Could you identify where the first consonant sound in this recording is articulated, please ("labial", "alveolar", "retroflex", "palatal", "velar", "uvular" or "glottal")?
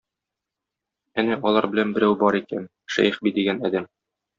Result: alveolar